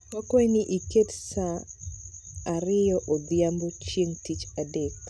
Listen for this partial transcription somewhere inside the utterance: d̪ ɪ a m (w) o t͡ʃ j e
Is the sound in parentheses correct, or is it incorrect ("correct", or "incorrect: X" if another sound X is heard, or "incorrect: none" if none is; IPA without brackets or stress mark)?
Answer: incorrect: b